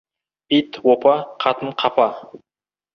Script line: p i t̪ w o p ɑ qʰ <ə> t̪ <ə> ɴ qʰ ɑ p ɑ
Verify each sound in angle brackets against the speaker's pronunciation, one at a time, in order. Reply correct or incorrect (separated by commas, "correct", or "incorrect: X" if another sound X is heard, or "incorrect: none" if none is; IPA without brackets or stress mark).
incorrect: ɑ, correct